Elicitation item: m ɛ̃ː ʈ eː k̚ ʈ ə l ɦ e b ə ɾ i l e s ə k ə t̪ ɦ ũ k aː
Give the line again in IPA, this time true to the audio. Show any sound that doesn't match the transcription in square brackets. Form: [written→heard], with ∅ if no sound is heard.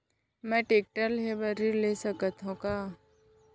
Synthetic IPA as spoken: m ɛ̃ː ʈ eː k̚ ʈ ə l ɦ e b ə ɾ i l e s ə k ə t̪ ɦ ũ k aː